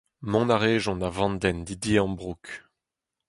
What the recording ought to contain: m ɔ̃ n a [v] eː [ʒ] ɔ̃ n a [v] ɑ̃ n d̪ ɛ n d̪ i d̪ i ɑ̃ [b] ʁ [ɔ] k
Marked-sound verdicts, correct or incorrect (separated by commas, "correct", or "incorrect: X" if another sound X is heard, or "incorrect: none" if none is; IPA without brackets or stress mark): incorrect: ʁ, correct, correct, correct, incorrect: u